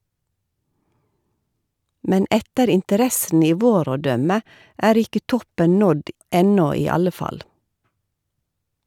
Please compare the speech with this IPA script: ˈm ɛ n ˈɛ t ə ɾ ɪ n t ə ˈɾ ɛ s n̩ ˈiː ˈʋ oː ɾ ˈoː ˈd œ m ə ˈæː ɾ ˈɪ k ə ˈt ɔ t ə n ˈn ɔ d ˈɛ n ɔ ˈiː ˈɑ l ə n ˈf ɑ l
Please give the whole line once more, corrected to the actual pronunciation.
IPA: ˈm ɛ n ˈɛ t ə ɾ ɪ n t ə ˈɾ ɛ s n̩ ˈiː ˈʋ oː ɾ ˈoː ˈd œ m ə ˈæː ɾ ˈɪ k ə ˈt ɔ p ə n ˈn ɔ d ˈɛ n ɔ ˈiː ˈɑ l ə ˈf ɑ l